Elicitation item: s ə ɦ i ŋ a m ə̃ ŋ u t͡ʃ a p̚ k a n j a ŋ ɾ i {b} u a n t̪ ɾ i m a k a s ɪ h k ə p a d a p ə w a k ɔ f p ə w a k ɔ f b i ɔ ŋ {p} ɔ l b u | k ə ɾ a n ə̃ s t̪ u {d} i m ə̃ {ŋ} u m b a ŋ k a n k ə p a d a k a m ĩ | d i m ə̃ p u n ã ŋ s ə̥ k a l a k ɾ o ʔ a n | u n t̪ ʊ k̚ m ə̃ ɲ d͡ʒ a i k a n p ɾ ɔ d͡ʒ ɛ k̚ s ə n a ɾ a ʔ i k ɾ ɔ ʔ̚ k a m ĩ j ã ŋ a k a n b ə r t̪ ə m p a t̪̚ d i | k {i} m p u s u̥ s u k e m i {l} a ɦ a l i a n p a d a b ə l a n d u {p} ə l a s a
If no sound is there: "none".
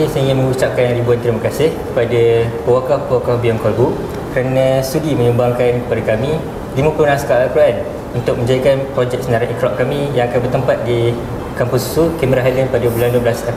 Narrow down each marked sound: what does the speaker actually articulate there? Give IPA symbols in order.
b, k, d, ɲ, a, ɾ, b

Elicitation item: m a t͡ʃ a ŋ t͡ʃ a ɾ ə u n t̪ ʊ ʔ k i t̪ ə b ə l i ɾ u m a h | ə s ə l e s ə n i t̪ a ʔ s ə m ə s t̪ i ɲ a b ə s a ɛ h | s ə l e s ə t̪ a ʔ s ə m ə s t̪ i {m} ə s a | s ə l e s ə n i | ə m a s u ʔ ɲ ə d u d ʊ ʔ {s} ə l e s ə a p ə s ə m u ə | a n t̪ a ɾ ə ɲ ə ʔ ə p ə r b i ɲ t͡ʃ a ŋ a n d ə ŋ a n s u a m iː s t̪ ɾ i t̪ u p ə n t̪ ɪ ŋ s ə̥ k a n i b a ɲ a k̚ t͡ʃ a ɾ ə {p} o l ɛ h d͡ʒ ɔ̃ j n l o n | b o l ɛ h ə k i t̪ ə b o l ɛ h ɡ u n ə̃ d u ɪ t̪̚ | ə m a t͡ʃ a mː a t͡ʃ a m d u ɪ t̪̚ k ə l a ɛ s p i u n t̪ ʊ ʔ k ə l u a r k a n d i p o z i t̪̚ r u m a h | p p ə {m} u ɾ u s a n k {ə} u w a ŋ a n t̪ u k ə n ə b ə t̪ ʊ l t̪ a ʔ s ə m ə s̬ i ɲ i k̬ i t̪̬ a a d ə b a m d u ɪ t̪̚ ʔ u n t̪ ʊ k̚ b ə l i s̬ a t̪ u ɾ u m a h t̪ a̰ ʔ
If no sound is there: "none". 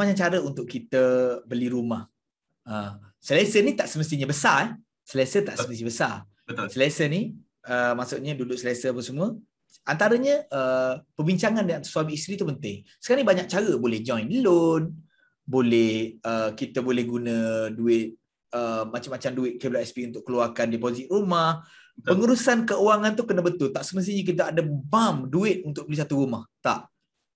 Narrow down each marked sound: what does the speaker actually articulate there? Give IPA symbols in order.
b, s, b, ŋ, ə

